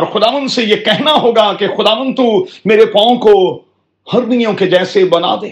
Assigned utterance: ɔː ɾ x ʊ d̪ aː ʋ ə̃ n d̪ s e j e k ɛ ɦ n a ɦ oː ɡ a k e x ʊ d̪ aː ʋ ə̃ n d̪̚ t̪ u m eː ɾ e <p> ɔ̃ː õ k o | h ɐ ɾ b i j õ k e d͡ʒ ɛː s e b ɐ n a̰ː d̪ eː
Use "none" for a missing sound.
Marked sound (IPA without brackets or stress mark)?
p